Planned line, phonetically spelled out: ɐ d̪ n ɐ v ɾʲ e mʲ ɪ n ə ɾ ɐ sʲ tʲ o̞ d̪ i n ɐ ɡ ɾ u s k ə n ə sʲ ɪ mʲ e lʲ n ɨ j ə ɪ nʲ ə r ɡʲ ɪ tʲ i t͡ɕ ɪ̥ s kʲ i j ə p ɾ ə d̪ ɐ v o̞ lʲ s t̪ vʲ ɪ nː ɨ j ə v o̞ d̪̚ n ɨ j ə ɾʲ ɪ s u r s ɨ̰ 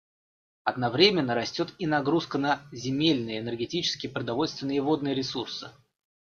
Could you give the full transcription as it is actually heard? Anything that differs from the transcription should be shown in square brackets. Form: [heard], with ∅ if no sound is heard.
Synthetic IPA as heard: ɐ d̪ n ɐ v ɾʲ e mʲ ɪ [nː] ə ɾ ɐ sʲ tʲ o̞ [t̪] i n ɐ ɡ ɾ u s k ə n ə [zʲ] ɪ mʲ e lʲ n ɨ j ə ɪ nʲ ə r ɡʲ ɪ tʲ i t͡ɕ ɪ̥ s kʲ [ɪ] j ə p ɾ ə d̪ ɐ v o̞ lʲ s t̪ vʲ ɪ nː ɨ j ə v o̞ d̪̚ n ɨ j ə ɾʲ ɪ s u r s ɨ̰